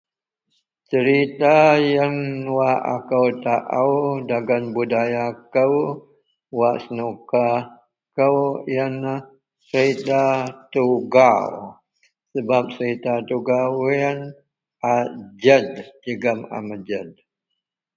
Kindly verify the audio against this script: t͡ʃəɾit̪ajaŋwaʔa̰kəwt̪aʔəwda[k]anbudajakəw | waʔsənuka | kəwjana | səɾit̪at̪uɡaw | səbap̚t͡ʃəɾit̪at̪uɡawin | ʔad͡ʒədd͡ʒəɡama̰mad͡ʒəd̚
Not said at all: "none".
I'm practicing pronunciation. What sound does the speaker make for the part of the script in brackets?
ɡ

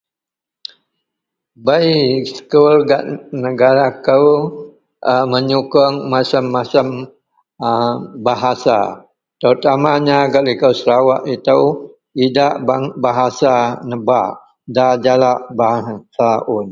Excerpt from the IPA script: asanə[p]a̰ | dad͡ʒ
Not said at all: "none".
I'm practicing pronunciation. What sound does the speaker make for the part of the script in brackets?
b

